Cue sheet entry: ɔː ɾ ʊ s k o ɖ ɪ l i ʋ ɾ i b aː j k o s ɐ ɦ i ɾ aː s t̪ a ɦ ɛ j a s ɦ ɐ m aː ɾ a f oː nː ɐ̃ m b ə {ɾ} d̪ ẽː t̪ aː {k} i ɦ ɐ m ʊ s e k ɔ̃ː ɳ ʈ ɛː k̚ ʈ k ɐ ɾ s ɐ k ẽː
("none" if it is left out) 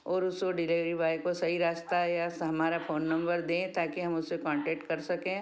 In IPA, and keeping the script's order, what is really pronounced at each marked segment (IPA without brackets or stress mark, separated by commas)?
ɾ, k